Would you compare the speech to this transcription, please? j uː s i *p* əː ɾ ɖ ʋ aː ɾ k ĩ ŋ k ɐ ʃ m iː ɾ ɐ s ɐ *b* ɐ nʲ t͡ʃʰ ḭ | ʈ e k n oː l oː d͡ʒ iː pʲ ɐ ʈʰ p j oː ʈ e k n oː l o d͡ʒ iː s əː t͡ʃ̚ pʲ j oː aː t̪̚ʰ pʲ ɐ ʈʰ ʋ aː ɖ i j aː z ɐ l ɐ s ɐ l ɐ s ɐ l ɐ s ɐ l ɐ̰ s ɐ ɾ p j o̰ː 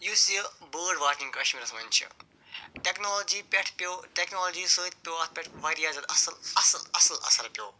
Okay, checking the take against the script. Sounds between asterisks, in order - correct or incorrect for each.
incorrect, incorrect

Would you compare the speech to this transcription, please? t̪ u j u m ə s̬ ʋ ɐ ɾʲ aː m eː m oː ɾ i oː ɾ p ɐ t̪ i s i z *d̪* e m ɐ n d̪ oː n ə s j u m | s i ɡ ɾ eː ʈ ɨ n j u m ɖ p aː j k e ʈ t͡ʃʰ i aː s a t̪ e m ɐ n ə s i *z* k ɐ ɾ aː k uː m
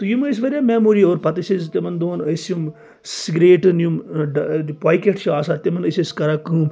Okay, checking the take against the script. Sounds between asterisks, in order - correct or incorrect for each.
incorrect, incorrect

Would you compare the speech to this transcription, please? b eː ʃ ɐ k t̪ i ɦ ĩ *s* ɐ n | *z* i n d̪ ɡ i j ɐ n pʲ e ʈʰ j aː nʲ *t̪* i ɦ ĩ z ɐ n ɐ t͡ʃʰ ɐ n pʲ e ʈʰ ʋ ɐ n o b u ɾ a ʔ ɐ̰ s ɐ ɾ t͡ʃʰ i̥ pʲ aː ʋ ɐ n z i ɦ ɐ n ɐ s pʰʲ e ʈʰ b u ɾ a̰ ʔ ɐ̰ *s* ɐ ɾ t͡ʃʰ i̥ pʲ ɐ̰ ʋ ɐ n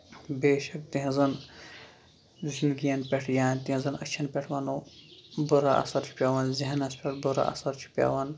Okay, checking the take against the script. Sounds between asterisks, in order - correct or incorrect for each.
incorrect, correct, correct, correct

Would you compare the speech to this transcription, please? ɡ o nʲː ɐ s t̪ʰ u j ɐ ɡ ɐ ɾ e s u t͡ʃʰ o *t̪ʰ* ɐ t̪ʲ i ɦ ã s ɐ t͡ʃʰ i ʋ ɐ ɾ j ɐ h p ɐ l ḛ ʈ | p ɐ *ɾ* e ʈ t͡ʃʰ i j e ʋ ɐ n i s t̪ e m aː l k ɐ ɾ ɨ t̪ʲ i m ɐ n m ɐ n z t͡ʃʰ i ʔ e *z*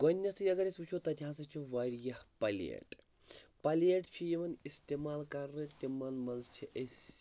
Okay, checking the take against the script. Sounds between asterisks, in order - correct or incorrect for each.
incorrect, incorrect, incorrect

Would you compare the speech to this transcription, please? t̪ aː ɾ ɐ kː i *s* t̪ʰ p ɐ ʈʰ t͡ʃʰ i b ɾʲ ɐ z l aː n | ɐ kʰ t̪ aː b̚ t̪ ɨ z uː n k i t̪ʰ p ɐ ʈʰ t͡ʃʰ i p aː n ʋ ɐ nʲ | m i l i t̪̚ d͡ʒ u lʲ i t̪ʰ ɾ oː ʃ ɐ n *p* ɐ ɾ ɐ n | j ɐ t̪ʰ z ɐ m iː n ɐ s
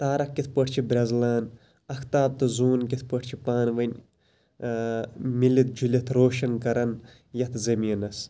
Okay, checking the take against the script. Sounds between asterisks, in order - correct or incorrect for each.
incorrect, incorrect

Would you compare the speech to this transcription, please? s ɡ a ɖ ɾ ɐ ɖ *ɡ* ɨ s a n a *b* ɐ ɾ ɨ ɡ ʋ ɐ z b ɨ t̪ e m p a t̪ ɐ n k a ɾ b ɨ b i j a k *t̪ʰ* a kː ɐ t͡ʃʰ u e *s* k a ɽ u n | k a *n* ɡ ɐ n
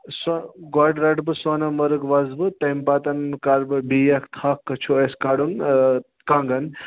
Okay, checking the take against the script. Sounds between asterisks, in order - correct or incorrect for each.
incorrect, incorrect, correct, correct, incorrect

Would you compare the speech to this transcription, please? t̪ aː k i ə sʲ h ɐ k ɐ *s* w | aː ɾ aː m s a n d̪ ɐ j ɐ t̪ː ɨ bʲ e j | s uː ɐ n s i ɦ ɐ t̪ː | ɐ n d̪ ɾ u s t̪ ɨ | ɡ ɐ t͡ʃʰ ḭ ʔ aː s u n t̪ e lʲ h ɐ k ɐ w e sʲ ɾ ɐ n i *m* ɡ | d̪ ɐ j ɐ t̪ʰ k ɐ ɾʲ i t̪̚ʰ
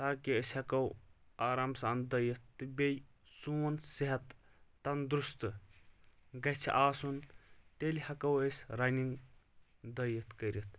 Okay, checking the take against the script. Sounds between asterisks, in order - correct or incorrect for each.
incorrect, incorrect

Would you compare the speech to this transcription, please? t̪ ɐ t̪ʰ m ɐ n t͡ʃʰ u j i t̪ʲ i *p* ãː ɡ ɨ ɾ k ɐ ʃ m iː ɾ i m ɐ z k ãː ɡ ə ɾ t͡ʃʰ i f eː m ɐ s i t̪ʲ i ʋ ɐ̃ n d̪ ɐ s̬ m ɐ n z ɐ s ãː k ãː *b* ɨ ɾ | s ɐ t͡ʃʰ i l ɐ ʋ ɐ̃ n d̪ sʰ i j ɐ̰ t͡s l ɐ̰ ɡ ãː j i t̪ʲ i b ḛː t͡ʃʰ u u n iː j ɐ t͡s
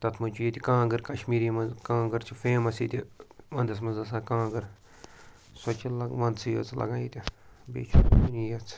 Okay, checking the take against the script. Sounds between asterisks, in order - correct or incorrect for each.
incorrect, incorrect

